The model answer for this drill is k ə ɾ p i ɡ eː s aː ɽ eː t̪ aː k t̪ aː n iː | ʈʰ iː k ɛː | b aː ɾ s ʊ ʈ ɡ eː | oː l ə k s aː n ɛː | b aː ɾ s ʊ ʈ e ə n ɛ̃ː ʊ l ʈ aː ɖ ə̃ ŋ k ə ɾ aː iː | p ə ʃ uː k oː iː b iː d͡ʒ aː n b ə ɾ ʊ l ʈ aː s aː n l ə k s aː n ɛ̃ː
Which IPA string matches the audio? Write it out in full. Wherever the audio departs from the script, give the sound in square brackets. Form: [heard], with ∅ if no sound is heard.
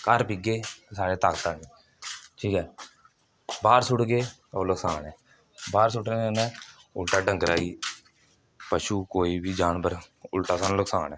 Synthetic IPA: k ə ɾ p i ɡ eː s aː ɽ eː t̪ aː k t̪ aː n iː | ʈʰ iː k ɛː | b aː ɾ s ʊ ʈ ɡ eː | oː l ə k s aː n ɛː | b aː ɾ s ʊ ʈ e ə n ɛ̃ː ʊ l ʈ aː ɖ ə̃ ŋ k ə ɾ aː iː | p ə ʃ uː k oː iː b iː d͡ʒ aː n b ə ɾ ʊ l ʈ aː s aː n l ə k s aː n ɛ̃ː